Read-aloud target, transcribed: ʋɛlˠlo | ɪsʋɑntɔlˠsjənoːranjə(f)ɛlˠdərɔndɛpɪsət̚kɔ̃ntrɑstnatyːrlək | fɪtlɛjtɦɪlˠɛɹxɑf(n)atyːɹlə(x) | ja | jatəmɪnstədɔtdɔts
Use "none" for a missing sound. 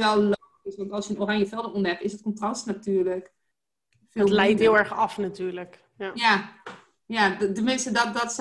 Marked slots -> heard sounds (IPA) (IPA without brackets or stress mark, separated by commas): f, n, k